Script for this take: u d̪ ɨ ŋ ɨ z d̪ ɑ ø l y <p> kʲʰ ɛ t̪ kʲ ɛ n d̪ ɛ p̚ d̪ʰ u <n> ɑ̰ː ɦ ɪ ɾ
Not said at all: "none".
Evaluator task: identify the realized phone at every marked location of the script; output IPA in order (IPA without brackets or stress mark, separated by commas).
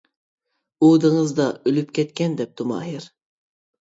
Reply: p, m